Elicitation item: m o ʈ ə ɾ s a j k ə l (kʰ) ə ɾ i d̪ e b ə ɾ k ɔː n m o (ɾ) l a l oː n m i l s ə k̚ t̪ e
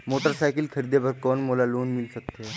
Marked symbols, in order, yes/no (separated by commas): yes, no